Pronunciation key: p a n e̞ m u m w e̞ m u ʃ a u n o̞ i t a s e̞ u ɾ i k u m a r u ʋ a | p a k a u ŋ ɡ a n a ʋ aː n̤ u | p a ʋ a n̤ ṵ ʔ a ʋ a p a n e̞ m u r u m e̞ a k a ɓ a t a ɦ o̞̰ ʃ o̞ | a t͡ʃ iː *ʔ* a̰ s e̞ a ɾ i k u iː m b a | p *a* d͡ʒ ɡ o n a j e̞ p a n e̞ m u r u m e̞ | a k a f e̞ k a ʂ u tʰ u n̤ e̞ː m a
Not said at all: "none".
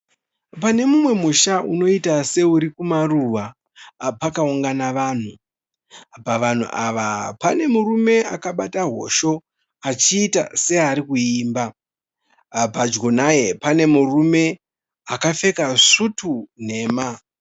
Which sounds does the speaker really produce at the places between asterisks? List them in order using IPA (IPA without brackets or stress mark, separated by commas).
t, a